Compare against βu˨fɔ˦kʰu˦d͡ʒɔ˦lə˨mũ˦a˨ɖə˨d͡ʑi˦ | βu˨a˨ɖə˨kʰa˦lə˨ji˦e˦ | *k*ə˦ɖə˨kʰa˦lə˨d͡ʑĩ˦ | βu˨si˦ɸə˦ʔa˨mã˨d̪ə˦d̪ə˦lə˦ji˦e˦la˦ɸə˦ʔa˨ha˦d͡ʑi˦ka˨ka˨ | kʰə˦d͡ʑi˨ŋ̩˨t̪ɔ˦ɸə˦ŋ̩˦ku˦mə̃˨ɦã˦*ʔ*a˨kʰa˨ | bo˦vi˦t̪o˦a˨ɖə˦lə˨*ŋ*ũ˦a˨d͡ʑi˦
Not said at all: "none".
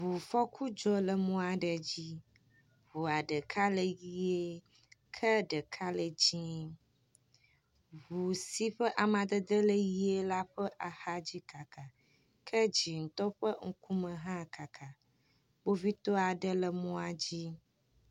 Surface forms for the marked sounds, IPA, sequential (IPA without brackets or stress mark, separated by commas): kʰ, k, m